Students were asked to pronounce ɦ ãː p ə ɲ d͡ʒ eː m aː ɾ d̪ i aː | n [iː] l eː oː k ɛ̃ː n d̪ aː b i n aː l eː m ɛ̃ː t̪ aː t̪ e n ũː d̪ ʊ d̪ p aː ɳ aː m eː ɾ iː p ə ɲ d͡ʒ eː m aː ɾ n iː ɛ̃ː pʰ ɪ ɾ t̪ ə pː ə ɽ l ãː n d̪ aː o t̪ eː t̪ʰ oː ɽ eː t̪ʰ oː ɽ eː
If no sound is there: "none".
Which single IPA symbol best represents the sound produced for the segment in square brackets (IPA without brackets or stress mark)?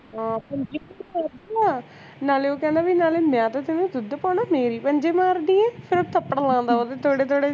aː